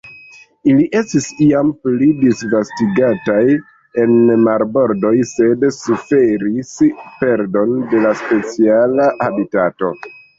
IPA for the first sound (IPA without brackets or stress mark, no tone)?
i